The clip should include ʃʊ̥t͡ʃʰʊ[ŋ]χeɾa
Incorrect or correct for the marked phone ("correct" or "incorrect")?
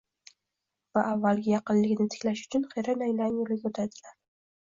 incorrect